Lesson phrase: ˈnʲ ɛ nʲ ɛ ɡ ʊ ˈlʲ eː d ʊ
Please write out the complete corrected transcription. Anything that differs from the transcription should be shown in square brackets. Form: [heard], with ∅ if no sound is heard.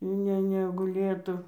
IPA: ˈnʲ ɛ nʲ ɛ ɡ ʊ ˈlʲ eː [t] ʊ